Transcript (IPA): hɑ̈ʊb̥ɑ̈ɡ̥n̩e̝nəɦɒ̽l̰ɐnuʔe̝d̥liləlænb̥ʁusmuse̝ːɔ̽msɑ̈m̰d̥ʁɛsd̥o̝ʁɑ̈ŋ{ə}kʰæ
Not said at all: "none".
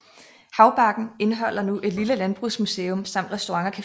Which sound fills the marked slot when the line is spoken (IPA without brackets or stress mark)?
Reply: ɐ